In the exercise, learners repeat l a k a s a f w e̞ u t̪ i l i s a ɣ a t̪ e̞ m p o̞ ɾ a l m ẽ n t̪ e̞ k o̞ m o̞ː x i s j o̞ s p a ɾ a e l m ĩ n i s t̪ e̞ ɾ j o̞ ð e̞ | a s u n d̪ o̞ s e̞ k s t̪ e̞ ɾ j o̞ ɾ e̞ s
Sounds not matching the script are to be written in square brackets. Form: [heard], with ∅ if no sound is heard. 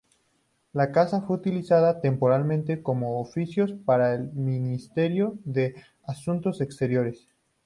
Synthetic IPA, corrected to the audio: l a k a s a f w e̞ u t̪ i l i s a [ð] a t̪ e̞ m p o̞ ɾ a l m ẽ n t̪ e̞ k o̞ m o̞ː [f] i s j o̞ s p a ɾ a e l m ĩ n i s t̪ e̞ ɾ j o̞ ð e̞ | a s u n [t̪] o̞ s e̞ k s t̪ e̞ ɾ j o̞ ɾ e̞ s